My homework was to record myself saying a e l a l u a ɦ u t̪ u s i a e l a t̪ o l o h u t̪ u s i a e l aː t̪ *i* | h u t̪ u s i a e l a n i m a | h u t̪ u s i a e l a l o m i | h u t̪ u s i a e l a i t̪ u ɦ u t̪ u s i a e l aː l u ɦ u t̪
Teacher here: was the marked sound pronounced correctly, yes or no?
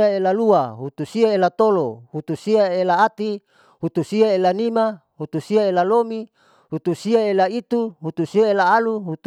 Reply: yes